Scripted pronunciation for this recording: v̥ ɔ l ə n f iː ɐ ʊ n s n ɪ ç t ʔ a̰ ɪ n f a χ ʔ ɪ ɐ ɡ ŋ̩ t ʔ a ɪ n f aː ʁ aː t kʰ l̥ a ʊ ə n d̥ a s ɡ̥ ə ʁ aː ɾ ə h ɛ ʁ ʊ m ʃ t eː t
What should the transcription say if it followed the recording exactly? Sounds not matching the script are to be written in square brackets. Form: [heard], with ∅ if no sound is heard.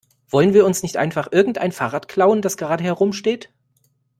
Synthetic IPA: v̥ ɔ l ə n [v] iː ɐ ʊ n s n ɪ ç t ʔ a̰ ɪ n f a χ ʔ ɪ ɐ ɡ ŋ̩ t ʔ a ɪ n f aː ʁ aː t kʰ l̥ a ʊ ə n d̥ a s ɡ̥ ə ʁ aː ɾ ə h ɛ ʁ ʊ m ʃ t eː t